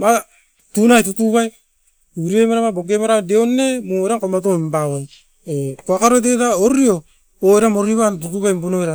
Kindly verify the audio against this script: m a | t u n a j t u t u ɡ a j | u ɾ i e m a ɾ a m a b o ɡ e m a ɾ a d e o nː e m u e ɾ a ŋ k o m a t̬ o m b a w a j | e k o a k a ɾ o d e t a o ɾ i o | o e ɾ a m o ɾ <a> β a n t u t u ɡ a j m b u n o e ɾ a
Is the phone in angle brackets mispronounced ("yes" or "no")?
yes